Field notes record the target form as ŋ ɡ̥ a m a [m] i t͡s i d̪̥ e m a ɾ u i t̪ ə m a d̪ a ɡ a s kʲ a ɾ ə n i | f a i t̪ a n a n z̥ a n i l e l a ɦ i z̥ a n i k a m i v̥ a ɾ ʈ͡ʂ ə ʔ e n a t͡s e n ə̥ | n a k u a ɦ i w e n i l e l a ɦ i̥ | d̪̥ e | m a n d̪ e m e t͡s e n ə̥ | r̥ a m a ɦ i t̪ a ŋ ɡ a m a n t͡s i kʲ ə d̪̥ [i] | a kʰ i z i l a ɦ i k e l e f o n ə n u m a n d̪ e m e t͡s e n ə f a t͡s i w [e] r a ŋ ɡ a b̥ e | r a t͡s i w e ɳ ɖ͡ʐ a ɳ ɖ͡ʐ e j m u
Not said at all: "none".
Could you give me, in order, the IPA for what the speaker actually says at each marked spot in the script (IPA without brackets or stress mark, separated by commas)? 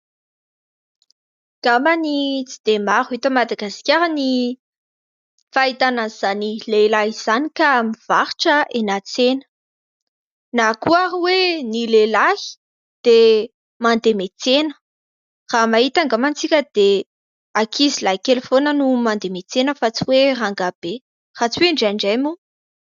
n, e, e